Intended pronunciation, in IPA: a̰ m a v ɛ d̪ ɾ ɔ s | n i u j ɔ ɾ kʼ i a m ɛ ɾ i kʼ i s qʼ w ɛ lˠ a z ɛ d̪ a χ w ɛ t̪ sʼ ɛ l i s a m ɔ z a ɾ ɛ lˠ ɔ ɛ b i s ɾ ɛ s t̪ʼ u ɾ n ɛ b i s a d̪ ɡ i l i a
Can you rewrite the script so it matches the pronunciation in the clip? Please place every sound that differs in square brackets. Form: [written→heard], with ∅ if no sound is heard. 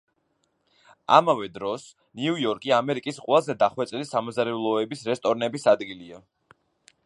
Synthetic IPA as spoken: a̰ m a v ɛ d̪ ɾ ɔ s | n i u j ɔ ɾ kʼ i a m ɛ ɾ i kʼ i s qʼ w ɛ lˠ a z ɛ d̪ a χ w ɛ t̪ sʼ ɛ l i s a m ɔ z a ɾ ɛ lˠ ɔ ɛ b i s ɾ ɛ s t̪ʼ [u→ɔ] ɾ n ɛ b i s a d̪ ɡ i l i a

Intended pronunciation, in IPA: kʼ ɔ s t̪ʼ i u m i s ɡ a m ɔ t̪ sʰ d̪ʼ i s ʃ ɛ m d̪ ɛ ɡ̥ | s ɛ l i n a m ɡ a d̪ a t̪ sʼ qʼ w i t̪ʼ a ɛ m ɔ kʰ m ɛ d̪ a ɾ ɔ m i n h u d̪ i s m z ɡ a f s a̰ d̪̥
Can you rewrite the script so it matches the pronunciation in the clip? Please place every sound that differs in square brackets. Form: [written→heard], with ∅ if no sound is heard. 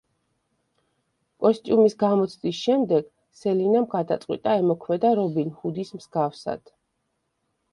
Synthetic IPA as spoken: kʼ ɔ s t̪ʼ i u m i s ɡ a m ɔ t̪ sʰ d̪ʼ i s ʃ ɛ m d̪ ɛ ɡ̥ | s ɛ l i n a m ɡ a d̪ a t̪ sʼ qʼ w i t̪ʼ a ɛ m ɔ kʰ m ɛ d̪ a ɾ ɔ [m→b] i n h u d̪ i s m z ɡ a f s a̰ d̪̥

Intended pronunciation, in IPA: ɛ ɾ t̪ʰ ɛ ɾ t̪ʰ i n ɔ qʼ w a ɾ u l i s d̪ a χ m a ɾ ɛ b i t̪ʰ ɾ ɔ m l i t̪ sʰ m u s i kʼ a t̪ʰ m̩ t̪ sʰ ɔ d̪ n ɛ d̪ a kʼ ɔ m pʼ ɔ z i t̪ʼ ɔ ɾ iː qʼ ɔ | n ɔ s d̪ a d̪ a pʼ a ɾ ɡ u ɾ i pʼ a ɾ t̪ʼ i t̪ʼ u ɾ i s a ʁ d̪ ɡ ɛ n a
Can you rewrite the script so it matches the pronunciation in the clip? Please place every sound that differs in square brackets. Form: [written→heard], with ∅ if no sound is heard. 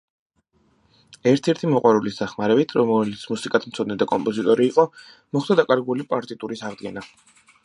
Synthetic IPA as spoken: ɛ ɾ t̪ʰ ɛ ɾ t̪ʰ i [n→m] ɔ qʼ w a ɾ u l i s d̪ a χ m a ɾ ɛ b i t̪ʰ ɾ ɔ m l i t̪ sʰ m u s i kʼ a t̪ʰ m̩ t̪ sʰ ɔ d̪ n ɛ d̪ a kʼ ɔ m pʼ ɔ z i t̪ʼ ɔ ɾ iː qʼ ɔ | [n→m] ɔ [s→χ] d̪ a d̪ a [pʼ→kʼ] a ɾ ɡ u [ɾ→l] i pʼ a ɾ t̪ʼ i t̪ʼ u ɾ i s a ʁ d̪ ɡ ɛ n a

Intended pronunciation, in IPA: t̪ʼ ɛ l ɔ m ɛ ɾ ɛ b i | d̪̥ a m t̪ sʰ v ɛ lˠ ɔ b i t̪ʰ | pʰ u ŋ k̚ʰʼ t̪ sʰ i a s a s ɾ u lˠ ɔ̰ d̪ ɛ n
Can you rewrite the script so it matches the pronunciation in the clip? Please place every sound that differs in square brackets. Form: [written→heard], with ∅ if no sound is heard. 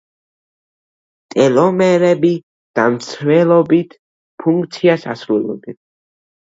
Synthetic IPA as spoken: t̪ʼ ɛ l ɔ m ɛ ɾ ɛ b i | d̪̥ a m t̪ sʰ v ɛ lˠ ɔ b i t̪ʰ | pʰ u ŋ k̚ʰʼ t̪ sʰ i a s a s ɾ u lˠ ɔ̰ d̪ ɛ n

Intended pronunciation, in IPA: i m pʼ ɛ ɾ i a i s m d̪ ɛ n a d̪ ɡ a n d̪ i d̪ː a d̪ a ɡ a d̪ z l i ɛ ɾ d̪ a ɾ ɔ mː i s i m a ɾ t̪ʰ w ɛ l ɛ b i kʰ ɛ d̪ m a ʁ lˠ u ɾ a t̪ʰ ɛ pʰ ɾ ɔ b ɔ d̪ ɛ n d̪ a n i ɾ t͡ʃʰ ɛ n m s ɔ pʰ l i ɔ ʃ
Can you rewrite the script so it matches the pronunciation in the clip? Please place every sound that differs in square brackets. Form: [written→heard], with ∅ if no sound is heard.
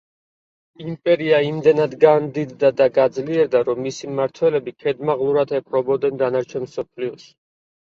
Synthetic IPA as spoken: i m pʼ ɛ ɾ i a i [s→∅] m d̪ ɛ n a d̪ ɡ a n d̪ i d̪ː a d̪ a ɡ a d̪ z l i ɛ ɾ d̪ a ɾ ɔ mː i s i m a ɾ t̪ʰ w ɛ l ɛ b i kʰ ɛ d̪ m a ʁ lˠ u ɾ a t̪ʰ ɛ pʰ ɾ ɔ b ɔ d̪ ɛ n d̪ a n [i→a] ɾ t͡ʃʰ ɛ n m s ɔ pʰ l i ɔ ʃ

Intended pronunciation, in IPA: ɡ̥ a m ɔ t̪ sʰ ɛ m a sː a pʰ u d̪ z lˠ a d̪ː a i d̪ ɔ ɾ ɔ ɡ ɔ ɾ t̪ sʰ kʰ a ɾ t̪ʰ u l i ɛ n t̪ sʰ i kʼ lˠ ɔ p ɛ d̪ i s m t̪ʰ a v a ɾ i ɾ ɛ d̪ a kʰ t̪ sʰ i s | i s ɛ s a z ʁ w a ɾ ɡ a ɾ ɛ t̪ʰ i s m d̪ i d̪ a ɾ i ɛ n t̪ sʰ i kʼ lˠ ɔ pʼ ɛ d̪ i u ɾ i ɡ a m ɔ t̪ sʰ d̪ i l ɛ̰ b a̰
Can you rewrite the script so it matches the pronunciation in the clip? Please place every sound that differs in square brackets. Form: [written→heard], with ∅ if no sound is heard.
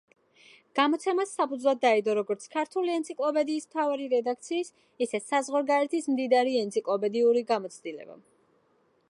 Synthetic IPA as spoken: ɡ̥ a m ɔ t̪ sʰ ɛ m a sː a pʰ u d̪ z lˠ a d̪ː a i d̪ ɔ ɾ ɔ ɡ ɔ ɾ t̪ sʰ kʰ a ɾ t̪ʰ u l i ɛ n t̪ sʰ i kʼ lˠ ɔ p ɛ d̪ [i→iː] s m t̪ʰ a v a ɾ i ɾ ɛ d̪ a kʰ t̪ sʰ [i→iː] s | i s ɛ s a z ʁ w a ɾ ɡ a ɾ ɛ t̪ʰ i s m d̪ i d̪ a ɾ i ɛ n t̪ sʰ i kʼ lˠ ɔ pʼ ɛ d̪ i u ɾ i ɡ a m ɔ t̪ sʰ d̪ i l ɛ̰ b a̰

